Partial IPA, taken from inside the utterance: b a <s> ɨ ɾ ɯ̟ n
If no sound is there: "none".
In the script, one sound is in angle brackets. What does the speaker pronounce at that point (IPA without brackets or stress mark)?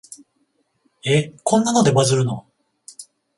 z